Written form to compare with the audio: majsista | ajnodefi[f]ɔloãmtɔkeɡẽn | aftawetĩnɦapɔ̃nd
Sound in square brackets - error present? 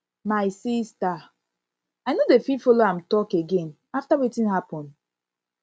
no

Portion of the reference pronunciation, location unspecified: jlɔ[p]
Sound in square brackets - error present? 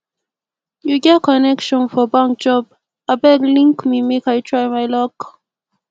yes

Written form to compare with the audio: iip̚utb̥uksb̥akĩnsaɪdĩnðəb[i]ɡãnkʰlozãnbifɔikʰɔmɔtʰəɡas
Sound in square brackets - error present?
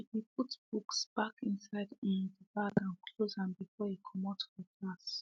yes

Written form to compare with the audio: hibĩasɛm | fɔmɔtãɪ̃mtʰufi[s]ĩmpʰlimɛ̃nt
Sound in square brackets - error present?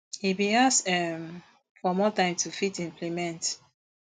yes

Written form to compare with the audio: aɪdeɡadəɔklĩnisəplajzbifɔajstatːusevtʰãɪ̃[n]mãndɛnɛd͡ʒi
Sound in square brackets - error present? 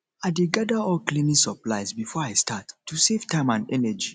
yes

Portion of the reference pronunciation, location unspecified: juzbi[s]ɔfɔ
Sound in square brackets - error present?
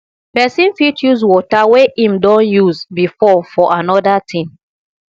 yes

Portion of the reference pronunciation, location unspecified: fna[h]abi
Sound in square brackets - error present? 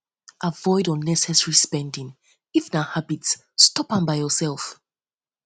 no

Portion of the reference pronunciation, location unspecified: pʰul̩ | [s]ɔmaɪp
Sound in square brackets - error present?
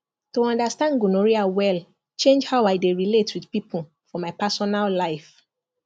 yes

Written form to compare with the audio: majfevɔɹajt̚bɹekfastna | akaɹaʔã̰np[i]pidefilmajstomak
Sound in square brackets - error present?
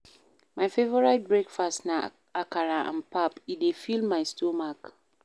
yes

